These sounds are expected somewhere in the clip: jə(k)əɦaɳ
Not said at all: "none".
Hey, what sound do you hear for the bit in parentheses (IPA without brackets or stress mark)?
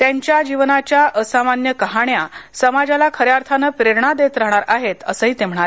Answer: k